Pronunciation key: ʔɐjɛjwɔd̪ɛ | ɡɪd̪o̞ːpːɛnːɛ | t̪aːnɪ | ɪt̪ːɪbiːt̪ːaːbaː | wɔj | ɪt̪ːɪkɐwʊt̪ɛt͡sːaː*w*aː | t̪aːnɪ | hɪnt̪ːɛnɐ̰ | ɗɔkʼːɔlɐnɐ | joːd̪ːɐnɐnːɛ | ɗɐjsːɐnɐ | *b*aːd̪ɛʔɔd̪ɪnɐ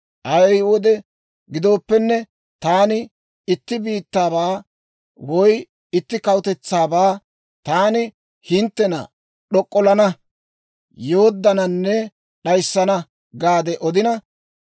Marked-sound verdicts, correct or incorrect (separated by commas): incorrect, incorrect